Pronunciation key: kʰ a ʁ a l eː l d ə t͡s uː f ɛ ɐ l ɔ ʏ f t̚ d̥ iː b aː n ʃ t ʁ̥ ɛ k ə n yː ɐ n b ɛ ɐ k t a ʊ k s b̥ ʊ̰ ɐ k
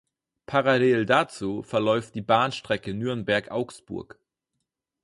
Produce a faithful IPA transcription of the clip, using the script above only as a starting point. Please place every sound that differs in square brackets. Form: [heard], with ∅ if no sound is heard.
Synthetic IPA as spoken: [pʰ] a ʁ a l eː l d [a] t͡s uː f ɛ ɐ l ɔ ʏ f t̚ d̥ iː b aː n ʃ t ʁ̥ ɛ k ə n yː ɐ n b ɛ ɐ k [ʔ] a ʊ k s b̥ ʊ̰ ɐ k

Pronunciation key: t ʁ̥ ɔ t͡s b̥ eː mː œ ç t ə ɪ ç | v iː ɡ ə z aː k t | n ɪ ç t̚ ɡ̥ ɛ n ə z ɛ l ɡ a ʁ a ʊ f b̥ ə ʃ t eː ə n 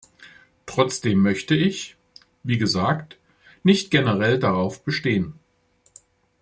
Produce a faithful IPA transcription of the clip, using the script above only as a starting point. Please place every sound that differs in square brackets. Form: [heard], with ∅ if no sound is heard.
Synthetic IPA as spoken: t ʁ̥ ɔ t͡s [d̥] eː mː œ ç t ə ɪ ç | v iː ɡ ə z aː k t | n ɪ ç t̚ ɡ̥ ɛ n ə [ʁ] ɛ l [d] a ʁ a ʊ f b̥ ə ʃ t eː ə n

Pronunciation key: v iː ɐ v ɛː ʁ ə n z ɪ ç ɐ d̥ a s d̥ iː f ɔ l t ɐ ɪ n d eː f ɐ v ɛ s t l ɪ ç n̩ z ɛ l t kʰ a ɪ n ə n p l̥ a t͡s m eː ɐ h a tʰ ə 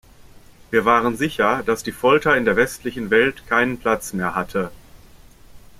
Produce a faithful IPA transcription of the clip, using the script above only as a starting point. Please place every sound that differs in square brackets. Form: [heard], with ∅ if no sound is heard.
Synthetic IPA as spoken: v iː ɐ v [aː] ʁ ə n z ɪ ç ɐ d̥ a s d̥ iː f ɔ l t ɐ ɪ n d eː [∅] ɐ v ɛ s t l ɪ ç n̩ [v] ɛ l t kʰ a ɪ n ə n p l̥ a t͡s m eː ɐ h a tʰ ə

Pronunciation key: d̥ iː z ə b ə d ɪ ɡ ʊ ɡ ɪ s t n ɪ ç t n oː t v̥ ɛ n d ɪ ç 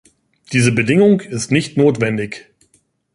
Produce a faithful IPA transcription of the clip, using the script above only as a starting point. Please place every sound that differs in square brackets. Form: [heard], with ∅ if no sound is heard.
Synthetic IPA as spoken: d̥ iː z ə b ə d ɪ [ŋ] ʊ [ŋ] ɪ s t n ɪ ç t n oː t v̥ ɛ n d ɪ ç

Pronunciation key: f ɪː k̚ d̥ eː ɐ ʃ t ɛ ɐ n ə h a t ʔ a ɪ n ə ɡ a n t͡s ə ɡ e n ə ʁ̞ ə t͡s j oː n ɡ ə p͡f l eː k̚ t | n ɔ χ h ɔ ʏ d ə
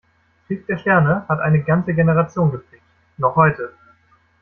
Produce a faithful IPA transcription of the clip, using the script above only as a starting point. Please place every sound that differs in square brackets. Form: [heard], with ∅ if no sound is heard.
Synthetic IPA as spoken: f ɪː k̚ d̥ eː ɐ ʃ t ɛ ɐ n ə h a t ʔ a ɪ n ə ɡ a n t͡s ə ɡ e n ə ʁ̞ [a] t͡s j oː n ɡ ə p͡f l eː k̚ t | n ɔ χ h ɔ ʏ [t] ə

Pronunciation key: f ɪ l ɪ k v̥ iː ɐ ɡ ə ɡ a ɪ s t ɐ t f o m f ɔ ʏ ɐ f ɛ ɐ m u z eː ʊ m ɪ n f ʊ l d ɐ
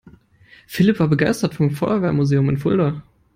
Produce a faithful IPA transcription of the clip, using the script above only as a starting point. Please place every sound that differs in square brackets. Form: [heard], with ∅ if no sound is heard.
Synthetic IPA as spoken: f ɪ l ɪ [p] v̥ [aː] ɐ [b] ə ɡ a ɪ s t ɐ t f [ɔ] m f ɔ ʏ ɐ [v] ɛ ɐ m u z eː ʊ m ɪ n f ʊ l d ɐ

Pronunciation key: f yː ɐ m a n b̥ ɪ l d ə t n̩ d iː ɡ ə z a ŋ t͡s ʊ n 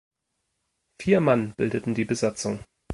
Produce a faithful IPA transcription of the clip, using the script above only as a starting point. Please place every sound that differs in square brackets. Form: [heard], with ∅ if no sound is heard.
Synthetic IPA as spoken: f [iː] ɐ m a n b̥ ɪ l d ə t n̩ d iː [b] ə z a [∅] t͡s ʊ [ŋ]

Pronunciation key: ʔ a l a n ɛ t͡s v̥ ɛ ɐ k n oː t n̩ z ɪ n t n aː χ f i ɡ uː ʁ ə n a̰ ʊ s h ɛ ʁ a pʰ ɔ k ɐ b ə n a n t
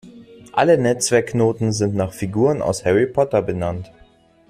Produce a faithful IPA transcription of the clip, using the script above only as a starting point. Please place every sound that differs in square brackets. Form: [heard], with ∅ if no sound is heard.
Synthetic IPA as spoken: ʔ a l [ə] n ɛ t͡s v̥ ɛ ɐ k n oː t n̩ z ɪ n t n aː χ f i ɡ uː ʁ ə n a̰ ʊ s h ɛ ʁ [i] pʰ ɔ [t] ɐ b ə n a n t

